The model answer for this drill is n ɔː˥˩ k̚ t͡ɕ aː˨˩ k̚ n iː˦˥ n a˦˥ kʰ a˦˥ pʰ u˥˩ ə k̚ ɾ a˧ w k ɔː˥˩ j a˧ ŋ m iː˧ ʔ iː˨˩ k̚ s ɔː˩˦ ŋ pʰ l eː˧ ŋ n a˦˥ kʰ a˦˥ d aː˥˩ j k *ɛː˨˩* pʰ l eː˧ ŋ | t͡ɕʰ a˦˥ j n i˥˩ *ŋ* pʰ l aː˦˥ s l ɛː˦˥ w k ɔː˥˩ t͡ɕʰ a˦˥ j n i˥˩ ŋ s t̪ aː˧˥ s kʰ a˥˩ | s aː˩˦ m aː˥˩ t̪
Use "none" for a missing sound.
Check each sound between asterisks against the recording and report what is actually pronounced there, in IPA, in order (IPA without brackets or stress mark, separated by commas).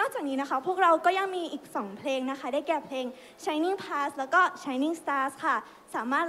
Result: ɛː˨˩, ŋ